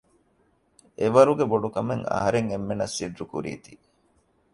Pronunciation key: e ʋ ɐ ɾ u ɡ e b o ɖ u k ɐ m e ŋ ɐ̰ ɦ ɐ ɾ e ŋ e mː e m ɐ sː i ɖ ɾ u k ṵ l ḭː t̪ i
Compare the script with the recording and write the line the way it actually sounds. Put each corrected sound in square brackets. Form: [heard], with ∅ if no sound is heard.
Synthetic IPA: e ʋ ɐ ɾ u ɡ e b o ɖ u k ɐ m e ŋ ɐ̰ ɦ ɐ ɾ e ŋ e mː e [n] ɐ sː i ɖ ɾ u k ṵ [ɾ] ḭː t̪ i